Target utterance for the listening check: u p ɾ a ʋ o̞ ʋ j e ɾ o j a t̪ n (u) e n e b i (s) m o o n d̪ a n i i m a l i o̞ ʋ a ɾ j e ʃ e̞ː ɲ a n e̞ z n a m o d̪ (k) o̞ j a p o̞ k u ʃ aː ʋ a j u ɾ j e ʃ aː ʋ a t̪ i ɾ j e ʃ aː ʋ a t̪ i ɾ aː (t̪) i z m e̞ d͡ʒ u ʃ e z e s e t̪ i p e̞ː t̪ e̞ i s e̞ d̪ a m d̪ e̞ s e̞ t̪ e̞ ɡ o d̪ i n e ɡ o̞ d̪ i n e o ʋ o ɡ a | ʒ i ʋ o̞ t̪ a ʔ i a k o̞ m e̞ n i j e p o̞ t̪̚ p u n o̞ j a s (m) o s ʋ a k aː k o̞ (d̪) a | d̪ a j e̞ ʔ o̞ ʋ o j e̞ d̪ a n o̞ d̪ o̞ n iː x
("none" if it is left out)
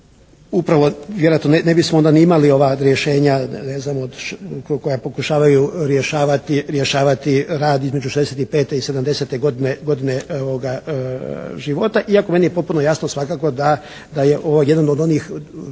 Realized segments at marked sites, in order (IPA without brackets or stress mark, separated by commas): o, s, k, d̪, n, d̪